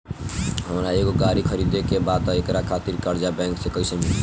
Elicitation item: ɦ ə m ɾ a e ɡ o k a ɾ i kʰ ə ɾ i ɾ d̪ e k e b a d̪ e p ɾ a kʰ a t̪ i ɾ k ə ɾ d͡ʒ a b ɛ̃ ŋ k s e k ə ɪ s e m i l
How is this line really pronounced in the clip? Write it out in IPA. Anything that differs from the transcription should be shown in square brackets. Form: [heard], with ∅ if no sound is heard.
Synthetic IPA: ɦ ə m ɾ a e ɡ o [ɡ] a ɾ i kʰ ə ɾ i [∅] d̪ e k e b a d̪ e [k] ɾ a kʰ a t̪ i ɾ k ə ɾ d͡ʒ a b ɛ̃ ŋ k s e k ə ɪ s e m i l